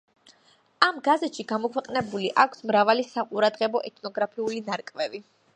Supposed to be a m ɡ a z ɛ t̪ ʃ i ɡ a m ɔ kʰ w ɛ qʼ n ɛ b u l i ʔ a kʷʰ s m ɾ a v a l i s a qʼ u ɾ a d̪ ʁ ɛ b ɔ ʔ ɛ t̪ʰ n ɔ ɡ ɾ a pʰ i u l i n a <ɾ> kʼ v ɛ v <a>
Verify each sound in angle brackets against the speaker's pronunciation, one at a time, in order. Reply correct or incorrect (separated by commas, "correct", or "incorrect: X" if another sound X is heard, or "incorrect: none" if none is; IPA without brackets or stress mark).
correct, incorrect: i